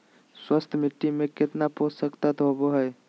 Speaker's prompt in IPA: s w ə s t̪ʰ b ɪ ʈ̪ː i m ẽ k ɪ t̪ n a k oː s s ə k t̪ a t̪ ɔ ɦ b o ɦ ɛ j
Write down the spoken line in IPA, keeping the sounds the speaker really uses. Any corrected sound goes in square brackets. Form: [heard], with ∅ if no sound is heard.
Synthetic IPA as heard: s w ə s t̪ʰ [m] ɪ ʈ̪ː i m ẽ k ɪ t̪ n a [p] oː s s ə k t̪ a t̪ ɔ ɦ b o ɦ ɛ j